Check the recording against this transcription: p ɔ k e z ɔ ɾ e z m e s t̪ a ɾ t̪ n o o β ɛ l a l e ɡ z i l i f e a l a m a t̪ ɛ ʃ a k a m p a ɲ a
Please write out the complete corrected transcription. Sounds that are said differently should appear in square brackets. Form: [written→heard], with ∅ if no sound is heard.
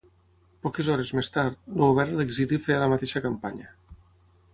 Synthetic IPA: p ɔ k e z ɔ ɾ e z m e s t̪ a ɾ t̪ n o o β ɛ [l→ɾ] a l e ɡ z i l i f e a l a m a t̪ [ɛ→e] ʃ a k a m p a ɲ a